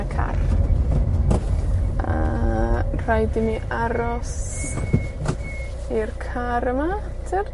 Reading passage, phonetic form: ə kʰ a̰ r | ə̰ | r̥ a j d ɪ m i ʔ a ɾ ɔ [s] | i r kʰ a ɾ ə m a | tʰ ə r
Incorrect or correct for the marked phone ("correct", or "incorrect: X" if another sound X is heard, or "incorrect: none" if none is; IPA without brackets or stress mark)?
correct